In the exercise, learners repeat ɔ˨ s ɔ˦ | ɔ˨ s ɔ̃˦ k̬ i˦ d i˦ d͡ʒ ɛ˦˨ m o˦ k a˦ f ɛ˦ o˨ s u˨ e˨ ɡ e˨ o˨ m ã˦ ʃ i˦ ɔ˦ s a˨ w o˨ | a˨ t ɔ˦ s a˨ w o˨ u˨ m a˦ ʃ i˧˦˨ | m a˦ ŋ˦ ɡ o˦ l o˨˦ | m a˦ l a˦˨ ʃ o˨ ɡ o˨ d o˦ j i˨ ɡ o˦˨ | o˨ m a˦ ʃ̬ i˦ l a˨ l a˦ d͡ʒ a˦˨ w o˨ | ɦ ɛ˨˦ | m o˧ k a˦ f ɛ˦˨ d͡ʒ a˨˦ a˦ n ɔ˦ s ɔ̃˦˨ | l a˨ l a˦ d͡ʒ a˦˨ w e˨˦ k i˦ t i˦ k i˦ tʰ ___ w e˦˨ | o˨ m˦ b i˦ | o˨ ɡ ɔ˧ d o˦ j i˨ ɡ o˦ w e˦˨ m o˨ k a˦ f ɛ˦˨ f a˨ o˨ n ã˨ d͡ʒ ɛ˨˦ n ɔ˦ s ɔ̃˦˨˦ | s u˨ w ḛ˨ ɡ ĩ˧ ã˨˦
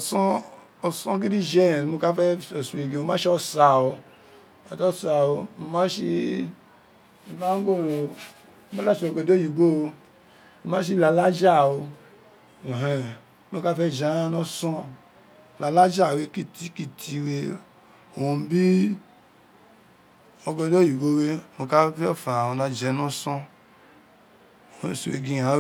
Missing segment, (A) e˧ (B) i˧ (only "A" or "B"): B